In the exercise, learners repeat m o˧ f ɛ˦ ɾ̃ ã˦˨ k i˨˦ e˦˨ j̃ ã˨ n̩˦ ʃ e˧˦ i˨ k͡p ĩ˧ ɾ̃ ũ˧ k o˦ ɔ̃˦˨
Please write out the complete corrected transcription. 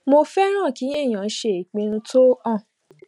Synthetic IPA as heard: m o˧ f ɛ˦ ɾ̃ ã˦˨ k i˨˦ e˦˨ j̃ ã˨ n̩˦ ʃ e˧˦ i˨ k͡p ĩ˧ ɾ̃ ũ˧ t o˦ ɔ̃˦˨